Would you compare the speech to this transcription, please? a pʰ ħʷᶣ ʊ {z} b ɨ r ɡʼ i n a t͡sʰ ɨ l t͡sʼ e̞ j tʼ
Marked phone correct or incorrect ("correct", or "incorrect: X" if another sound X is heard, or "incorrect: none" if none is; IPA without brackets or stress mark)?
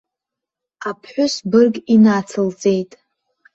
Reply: incorrect: s